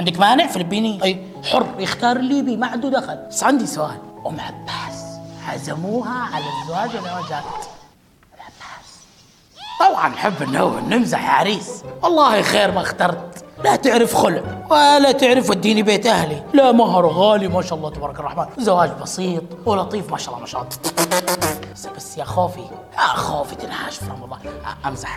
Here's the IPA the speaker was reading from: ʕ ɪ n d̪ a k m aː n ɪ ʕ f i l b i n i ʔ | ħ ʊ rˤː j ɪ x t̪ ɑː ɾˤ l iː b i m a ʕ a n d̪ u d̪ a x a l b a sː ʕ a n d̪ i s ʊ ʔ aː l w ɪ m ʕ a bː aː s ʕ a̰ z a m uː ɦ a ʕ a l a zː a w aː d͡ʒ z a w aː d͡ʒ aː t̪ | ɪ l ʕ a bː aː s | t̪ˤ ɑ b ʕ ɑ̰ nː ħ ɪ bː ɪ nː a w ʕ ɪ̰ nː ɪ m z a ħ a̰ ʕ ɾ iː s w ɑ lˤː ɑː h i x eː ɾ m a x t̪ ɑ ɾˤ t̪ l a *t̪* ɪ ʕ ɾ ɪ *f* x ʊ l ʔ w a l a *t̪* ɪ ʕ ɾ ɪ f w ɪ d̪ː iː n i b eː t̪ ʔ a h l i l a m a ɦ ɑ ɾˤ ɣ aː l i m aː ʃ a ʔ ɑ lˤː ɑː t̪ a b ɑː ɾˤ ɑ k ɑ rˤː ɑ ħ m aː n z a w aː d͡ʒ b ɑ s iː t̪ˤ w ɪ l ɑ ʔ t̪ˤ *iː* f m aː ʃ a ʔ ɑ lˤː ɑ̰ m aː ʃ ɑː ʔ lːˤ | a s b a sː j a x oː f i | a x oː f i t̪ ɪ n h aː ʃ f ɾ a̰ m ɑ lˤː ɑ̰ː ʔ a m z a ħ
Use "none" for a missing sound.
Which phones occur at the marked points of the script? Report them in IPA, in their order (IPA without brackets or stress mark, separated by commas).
t̪, f, t̪, iː